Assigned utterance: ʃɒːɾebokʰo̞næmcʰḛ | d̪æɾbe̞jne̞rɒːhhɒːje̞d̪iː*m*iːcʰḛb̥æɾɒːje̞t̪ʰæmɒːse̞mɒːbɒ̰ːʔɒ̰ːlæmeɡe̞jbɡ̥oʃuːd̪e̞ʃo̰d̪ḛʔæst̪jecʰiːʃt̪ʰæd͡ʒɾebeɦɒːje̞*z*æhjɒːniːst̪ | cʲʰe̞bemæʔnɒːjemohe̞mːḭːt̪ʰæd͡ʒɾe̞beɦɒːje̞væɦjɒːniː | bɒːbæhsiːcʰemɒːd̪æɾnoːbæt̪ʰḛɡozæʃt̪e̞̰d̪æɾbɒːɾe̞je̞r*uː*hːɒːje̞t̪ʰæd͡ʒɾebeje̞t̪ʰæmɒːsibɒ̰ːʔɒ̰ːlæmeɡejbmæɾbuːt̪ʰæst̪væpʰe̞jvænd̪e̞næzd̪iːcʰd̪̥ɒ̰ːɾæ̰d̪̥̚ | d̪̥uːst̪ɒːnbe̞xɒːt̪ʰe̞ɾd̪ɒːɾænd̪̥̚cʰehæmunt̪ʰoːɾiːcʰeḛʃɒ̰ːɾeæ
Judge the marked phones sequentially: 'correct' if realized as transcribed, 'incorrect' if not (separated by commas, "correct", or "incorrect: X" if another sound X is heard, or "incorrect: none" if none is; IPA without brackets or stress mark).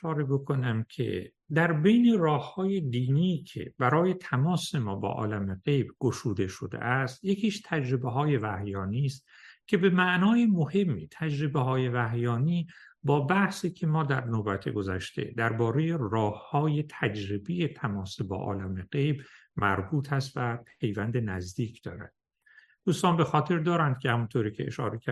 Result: incorrect: n, incorrect: v, incorrect: ɒː